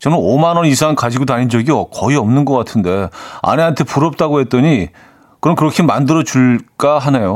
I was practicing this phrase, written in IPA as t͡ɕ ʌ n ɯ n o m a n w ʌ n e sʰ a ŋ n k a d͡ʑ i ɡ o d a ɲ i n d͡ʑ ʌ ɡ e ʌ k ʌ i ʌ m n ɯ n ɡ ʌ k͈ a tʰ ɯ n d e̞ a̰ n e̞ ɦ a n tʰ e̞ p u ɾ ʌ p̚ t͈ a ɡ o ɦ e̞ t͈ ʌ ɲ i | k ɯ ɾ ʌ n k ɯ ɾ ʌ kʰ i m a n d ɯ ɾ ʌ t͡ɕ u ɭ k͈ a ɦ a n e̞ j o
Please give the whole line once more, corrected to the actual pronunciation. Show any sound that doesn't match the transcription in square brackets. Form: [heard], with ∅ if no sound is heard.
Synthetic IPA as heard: t͡ɕ ʌ n ɯ n o m a n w ʌ n [i] sʰ a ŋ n k a d͡ʑ i ɡ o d a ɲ i n d͡ʑ ʌ ɡ [i] ʌ k ʌ i ʌ m n ɯ n ɡ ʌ k͈ a tʰ ɯ n d e̞ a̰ n e̞ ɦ a n tʰ e̞ p u ɾ ʌ p̚ t͈ a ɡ o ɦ e̞ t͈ ʌ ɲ i | k ɯ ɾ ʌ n k ɯ ɾ ʌ kʰ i m a n d ɯ ɾ ʌ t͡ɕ u ɭ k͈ a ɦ a n e̞ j o